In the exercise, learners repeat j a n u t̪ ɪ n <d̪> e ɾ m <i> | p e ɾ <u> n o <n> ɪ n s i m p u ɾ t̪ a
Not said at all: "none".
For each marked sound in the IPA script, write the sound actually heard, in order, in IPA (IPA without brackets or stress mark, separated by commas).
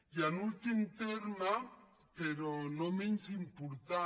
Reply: t̪, a, o, m